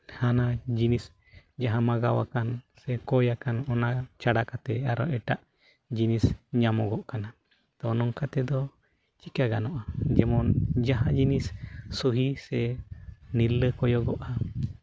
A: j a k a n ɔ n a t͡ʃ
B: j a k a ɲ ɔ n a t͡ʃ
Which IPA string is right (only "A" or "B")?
A